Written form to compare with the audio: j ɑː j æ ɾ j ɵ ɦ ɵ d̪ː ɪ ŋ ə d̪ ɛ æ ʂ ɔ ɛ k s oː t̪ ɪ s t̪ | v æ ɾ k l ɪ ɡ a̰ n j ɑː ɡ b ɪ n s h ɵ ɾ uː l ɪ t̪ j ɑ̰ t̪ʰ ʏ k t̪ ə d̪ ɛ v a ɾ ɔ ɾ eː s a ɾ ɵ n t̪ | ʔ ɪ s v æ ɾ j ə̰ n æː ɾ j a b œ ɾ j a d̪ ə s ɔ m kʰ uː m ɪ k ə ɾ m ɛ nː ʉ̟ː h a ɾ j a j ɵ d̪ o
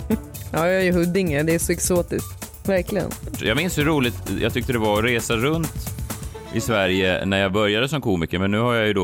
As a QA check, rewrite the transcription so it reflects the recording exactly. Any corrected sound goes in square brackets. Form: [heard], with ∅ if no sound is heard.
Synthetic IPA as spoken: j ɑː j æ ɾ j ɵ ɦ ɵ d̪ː ɪ ŋ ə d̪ ɛ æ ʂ ɔ ɛ k s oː t̪ ɪ s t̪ | v æ ɾ k l ɪ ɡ [ə̰] n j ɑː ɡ [m] ɪ n s h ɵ ɾ uː l ɪ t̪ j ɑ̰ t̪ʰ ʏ k t̪ ə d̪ ɛ v a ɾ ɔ ɾ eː s a ɾ ɵ n t̪ | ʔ ɪ s v æ ɾ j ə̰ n [æ] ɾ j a b œ ɾ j a d̪ ə s ɔ m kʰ uː m ɪ k ə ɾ m ɛ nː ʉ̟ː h a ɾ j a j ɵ d̪ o